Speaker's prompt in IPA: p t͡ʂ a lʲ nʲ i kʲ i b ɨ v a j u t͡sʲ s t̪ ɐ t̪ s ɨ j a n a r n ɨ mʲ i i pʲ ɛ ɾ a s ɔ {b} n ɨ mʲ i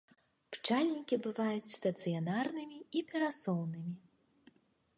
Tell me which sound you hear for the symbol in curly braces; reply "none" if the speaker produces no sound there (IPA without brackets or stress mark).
w